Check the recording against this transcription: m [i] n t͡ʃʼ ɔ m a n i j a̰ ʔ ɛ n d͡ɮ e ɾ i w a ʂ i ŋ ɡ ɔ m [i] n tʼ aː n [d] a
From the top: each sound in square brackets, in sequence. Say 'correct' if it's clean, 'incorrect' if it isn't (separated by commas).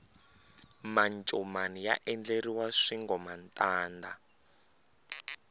incorrect, incorrect, correct